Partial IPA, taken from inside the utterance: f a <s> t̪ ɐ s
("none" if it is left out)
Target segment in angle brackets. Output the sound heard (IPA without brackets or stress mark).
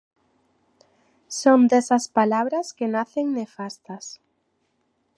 s